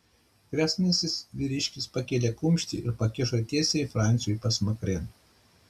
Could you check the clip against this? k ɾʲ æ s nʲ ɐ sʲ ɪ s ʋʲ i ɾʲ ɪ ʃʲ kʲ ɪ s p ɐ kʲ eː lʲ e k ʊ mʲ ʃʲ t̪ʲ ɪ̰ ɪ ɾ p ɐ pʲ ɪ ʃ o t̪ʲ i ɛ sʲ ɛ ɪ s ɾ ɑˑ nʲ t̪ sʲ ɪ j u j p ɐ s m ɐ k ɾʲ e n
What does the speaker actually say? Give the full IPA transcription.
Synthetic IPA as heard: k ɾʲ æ s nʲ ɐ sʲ ɪ s ʋʲ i ɾʲ ɪ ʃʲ kʲ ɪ s p ɐ kʲ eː lʲ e k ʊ mʲ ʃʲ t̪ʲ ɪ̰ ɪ ɾ p ɐ kʲ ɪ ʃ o t̪ʲ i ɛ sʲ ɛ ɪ f ɾ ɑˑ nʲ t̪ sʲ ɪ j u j p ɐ s m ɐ k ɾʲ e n